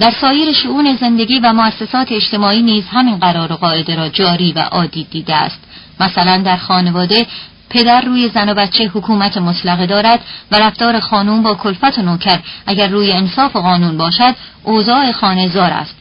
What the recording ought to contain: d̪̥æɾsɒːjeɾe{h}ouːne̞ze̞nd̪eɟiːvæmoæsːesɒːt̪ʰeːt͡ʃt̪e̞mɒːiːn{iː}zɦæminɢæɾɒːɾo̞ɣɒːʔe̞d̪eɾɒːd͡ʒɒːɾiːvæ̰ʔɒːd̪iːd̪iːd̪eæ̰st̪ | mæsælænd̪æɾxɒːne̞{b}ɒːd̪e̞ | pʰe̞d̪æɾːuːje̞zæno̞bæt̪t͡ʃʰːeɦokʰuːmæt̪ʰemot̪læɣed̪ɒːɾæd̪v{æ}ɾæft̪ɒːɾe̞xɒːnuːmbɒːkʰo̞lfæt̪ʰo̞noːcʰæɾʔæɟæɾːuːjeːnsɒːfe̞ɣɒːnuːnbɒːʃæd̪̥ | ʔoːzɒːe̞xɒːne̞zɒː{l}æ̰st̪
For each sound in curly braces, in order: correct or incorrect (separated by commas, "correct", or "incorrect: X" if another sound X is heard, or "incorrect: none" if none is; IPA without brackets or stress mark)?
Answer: incorrect: ʃ, correct, incorrect: v, correct, incorrect: ɾ